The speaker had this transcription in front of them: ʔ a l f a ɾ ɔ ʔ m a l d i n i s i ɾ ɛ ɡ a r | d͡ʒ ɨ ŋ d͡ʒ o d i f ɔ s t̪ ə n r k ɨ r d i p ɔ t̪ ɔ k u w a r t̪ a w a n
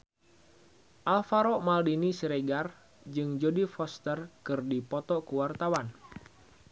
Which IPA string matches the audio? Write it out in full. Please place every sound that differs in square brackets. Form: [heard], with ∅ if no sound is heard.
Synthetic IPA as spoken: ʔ a l f a ɾ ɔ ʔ m a l d i n i s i ɾ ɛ ɡ a r | d͡ʒ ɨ ŋ d͡ʒ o d i f ɔ s t̪ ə [∅] r k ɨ r d i p ɔ t̪ ɔ k u w a r t̪ a w a n